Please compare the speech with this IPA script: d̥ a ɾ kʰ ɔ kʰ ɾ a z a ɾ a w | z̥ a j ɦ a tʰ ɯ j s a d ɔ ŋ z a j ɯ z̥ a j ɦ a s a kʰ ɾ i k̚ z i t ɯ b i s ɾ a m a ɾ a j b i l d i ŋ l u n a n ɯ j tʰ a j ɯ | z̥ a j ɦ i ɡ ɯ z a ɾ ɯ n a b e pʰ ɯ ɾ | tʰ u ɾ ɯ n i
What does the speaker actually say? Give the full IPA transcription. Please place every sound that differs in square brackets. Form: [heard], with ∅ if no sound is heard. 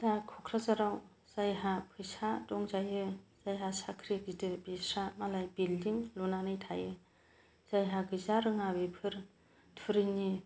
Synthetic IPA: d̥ a [∅] kʰ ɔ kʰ ɾ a z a ɾ a w | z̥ a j ɦ a [pʰ] ɯ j s a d ɔ ŋ z a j ɯ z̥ a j ɦ a s a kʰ ɾ i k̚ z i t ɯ b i s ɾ a m a [l] a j b i l d i ŋ l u n a n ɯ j tʰ a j ɯ | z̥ a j ɦ [a] ɡ ɯ z a ɾ ɯ [ŋ] a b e pʰ ɯ ɾ | tʰ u ɾ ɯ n i